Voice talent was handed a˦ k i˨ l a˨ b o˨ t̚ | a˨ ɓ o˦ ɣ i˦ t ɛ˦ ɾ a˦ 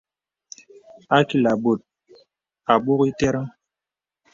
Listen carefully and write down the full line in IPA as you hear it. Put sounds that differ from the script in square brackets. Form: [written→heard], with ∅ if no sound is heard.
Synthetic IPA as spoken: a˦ k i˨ l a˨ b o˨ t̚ | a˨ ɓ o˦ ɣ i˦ t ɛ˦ ɾ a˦